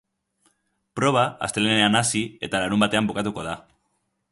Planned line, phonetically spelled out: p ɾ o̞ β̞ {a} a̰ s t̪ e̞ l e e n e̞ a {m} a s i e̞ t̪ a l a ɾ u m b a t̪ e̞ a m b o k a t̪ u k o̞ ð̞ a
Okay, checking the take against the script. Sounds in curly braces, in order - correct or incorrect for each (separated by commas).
correct, incorrect